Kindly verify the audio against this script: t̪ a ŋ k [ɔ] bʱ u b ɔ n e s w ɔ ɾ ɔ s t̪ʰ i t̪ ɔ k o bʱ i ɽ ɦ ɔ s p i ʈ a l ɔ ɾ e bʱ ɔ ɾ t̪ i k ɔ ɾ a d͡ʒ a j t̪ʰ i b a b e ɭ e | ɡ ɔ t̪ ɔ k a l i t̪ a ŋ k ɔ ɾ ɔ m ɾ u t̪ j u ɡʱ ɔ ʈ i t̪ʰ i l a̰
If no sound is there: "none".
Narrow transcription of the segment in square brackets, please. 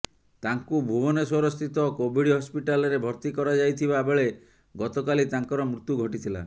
u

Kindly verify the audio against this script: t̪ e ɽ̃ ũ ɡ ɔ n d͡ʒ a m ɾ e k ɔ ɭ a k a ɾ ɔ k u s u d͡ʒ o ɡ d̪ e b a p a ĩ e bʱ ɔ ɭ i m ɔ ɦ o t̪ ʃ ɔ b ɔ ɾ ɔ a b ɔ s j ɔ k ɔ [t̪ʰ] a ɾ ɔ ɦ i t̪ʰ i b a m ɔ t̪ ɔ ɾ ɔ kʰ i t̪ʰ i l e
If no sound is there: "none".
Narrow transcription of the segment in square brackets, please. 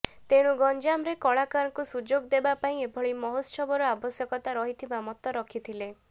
t̪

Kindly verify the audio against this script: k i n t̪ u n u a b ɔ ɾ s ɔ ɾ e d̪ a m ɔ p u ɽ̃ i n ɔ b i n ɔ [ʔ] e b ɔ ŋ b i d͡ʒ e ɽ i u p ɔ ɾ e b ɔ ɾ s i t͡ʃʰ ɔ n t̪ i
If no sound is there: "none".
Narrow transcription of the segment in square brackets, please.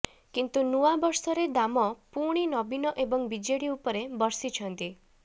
ʔ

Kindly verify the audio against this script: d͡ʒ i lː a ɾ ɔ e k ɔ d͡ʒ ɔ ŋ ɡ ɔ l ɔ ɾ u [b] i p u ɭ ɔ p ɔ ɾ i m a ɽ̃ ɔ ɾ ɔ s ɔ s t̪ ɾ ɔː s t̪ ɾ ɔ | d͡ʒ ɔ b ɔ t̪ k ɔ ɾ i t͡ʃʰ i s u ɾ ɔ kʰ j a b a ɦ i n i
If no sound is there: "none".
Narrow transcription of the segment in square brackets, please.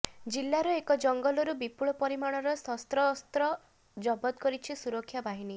b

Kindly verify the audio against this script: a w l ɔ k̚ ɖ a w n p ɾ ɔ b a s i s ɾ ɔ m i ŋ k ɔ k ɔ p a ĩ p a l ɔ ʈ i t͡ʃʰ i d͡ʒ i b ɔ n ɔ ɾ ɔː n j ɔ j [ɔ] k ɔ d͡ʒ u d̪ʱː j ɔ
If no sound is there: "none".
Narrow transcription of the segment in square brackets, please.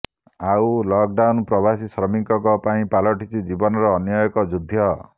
ɔ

